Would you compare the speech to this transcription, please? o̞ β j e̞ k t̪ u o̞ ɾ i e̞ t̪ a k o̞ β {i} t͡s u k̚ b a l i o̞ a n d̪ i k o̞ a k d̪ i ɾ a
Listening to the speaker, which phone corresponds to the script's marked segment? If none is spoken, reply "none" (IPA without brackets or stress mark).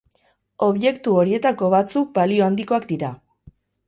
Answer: a